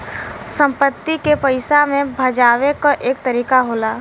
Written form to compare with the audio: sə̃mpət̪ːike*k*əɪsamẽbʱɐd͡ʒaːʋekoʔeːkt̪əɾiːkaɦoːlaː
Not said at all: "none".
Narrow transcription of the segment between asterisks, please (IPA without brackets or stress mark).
p